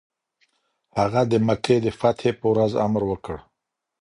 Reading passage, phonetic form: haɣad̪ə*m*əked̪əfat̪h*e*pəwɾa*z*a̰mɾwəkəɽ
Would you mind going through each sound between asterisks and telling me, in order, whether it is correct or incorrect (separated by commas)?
correct, correct, correct